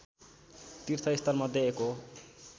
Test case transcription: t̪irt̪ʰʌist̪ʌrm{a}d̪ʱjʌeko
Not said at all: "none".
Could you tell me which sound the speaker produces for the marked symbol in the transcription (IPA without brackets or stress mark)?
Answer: ʌ